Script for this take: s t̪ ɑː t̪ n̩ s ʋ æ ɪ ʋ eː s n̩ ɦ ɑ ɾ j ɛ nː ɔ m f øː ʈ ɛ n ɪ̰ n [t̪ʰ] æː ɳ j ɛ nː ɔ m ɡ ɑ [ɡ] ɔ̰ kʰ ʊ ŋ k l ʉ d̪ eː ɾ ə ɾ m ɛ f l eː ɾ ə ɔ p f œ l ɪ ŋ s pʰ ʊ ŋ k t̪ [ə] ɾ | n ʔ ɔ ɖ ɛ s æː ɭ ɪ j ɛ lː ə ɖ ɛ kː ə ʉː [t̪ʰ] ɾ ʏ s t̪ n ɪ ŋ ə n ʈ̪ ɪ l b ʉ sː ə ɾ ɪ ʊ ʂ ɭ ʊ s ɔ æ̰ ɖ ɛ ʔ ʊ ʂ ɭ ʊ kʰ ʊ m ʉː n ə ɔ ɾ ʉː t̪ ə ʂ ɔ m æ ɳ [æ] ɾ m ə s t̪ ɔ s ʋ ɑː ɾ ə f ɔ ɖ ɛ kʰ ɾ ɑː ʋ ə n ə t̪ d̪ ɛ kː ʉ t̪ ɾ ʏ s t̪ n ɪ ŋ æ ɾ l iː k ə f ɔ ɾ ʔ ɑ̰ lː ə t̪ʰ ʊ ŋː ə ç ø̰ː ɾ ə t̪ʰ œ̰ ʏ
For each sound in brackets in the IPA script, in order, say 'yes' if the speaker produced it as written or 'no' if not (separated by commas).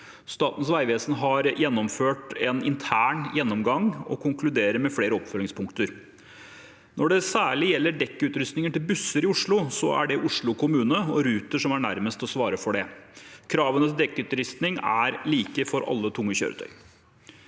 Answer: yes, no, yes, no, yes